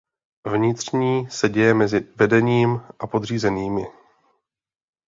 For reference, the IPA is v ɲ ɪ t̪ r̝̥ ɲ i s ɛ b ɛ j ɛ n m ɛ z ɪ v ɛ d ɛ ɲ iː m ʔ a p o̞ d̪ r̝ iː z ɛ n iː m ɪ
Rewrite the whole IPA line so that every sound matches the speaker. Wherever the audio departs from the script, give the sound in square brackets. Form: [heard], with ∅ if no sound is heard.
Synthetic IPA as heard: v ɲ ɪ t̪ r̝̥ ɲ [iː] s ɛ [ɟ] ɛ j ɛ [∅] m ɛ z ɪ v ɛ d ɛ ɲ iː m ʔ a p o̞ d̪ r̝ iː z ɛ n iː m ɪ